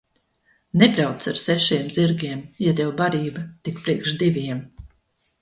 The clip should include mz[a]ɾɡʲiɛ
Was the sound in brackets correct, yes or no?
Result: no